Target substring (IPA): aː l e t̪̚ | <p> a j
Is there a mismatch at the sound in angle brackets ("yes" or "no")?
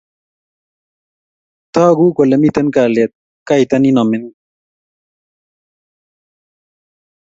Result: yes